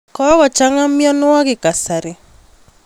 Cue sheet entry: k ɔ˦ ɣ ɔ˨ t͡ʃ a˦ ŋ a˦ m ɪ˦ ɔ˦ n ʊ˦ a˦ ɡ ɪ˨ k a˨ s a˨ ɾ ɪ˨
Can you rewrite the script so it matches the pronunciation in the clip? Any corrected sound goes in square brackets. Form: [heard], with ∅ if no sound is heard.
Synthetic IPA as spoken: k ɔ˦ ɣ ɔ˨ t͡ʃ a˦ ŋ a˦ m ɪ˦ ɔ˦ n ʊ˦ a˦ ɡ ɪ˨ k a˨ s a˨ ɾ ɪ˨

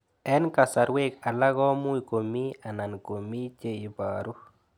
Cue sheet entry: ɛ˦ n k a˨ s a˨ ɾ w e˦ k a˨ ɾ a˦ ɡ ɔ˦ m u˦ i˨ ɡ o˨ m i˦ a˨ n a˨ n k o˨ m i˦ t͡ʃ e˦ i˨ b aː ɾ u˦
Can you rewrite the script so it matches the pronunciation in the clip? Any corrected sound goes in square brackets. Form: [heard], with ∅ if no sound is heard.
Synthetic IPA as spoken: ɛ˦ n k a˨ s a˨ ɾ w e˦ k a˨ [l] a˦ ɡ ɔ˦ m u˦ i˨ [k] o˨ m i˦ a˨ n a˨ n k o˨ m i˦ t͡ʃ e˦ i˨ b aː ɾ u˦

